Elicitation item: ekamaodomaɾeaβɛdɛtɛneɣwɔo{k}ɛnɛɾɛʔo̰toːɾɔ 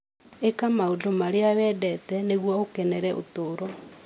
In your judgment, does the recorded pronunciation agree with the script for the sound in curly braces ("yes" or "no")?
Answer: yes